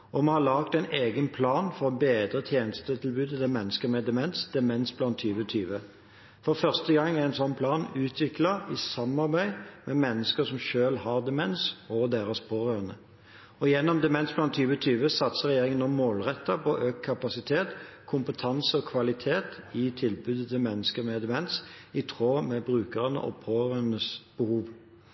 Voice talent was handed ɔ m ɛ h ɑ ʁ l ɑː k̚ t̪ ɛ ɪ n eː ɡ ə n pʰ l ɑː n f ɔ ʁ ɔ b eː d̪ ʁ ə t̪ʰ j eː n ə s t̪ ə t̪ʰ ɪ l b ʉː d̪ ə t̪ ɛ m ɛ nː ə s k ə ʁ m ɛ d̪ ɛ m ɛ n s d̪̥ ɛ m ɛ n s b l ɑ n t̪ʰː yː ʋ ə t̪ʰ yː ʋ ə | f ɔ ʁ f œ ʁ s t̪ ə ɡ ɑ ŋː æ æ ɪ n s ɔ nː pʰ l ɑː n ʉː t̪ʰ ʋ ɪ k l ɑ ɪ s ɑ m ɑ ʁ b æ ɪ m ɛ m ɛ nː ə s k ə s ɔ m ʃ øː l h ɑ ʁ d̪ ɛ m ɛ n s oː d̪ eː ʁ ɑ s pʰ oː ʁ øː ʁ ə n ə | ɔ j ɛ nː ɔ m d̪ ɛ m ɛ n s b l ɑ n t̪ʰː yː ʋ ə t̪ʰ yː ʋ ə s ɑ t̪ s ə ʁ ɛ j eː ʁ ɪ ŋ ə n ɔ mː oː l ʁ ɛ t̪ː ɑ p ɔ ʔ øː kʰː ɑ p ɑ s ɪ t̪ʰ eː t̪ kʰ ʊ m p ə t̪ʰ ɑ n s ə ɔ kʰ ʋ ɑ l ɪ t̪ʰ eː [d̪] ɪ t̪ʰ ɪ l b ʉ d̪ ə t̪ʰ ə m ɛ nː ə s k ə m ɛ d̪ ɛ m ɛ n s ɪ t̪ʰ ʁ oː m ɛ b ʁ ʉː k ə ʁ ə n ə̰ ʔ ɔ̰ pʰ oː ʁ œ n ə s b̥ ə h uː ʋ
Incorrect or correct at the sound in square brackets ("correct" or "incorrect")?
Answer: incorrect